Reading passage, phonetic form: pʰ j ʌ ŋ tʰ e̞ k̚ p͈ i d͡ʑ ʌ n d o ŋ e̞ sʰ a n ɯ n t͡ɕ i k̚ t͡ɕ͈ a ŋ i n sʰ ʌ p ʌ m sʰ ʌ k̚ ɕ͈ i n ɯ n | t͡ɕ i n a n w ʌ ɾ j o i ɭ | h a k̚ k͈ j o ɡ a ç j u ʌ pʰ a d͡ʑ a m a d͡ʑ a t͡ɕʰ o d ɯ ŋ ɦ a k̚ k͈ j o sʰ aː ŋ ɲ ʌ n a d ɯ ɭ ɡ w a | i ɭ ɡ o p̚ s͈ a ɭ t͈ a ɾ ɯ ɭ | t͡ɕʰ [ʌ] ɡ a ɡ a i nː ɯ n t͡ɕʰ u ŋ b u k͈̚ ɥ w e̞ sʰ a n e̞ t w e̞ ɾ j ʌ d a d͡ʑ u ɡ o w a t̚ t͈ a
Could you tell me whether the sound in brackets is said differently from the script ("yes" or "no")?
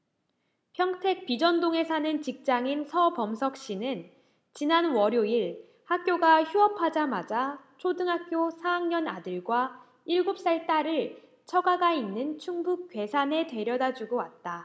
no